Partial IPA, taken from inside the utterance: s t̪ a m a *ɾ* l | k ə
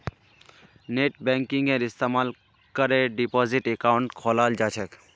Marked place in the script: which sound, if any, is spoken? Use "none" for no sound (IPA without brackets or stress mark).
none